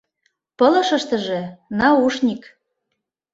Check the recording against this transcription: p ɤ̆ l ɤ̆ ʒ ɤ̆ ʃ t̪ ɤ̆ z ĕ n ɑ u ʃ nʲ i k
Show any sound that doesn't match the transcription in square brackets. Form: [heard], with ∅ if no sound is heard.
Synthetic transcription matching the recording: p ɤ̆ l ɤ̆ [ʃ] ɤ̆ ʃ t̪ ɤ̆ [ʒ] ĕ n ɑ u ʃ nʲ i k